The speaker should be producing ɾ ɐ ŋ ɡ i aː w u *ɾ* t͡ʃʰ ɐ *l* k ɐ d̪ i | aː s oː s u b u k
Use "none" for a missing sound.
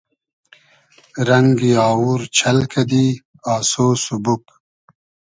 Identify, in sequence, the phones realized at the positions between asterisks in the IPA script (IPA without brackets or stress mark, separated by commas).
ɾ, l